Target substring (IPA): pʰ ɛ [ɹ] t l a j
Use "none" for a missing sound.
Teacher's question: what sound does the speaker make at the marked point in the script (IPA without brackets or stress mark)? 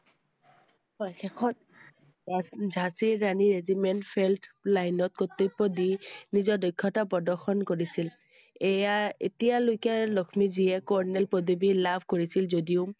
l